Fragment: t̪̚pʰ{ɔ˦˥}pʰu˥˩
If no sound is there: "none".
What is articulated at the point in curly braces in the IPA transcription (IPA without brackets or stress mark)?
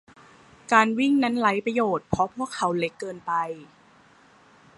ɔ˦˥